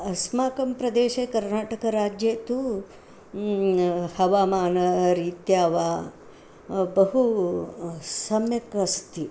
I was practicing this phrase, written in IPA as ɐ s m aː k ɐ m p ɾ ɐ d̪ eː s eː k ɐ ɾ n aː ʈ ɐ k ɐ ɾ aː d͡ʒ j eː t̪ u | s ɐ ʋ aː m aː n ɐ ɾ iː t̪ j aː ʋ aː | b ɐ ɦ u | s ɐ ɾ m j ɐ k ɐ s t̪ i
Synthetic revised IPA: ɐ s m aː k ɐ m p ɾ ɐ d̪ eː ʃ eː k ɐ ɾ n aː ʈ ɐ k ɐ ɾ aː d͡ʒ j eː t̪ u | h ɐ ʋ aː m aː n ɐ ɾ iː t̪ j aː ʋ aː | b ɐ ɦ u | s ɐ m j ɐ k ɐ s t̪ i